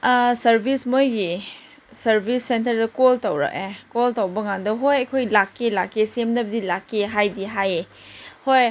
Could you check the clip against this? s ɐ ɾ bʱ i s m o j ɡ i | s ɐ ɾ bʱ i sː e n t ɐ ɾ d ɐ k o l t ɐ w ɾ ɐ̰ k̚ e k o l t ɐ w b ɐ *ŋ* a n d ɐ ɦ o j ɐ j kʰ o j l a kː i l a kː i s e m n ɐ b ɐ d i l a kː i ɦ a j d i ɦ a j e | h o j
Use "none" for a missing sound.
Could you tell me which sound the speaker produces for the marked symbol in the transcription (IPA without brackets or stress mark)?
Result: ŋ